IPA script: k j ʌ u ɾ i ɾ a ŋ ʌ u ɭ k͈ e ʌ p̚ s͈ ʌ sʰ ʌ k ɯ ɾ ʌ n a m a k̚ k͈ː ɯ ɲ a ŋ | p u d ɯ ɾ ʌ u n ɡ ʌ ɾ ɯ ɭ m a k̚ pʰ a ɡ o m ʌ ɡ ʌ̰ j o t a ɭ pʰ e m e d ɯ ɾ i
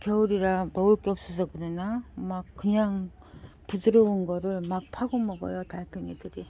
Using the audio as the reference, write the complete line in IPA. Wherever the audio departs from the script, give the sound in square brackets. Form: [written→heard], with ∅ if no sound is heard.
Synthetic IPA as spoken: k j ʌ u ɾ i ɾ a [ŋ→m] ʌ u ɭ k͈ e ʌ p̚ s͈ ʌ sʰ ʌ k ɯ ɾ ʌ n a m a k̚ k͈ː ɯ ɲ a ŋ | p u d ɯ ɾ ʌ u n ɡ ʌ ɾ ɯ ɭ m a k̚ pʰ a ɡ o m ʌ ɡ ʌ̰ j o t a ɭ pʰ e [m→ŋ] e d ɯ ɾ i